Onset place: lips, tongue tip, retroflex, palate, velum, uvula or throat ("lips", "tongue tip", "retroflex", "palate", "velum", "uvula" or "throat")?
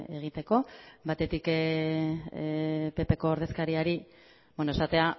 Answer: velum